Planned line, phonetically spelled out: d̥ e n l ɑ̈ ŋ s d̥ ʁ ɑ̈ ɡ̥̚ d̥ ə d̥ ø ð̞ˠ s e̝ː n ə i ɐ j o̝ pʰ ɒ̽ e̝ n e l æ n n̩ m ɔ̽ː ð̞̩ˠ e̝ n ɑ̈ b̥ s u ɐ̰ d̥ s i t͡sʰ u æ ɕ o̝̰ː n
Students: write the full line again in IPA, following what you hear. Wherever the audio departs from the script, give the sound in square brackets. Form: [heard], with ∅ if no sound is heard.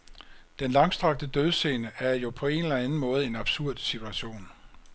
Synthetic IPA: d̥ e n l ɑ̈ ŋ s d̥ ʁ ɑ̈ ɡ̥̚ d̥ ə d̥ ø ð̞ˠ s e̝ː n ə [æ] ɐ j o̝ pʰ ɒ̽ e̝ n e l æ n n̩ m ɔ̽ː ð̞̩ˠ e̝ n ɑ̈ b̥ s u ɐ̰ d̥ s i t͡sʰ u æ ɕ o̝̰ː n